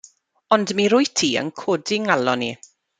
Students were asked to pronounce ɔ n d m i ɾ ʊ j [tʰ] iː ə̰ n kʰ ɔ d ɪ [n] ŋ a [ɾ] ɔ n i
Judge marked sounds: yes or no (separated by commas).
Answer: yes, no, no